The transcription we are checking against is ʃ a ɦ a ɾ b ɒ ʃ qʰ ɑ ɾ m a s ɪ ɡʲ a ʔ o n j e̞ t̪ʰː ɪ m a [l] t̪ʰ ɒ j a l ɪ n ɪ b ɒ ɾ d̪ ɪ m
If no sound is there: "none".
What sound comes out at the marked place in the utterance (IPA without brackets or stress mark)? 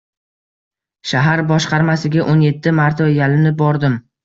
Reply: ɾ